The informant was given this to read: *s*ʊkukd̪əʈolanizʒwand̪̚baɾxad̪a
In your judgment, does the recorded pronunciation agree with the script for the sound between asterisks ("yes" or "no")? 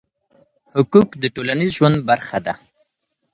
no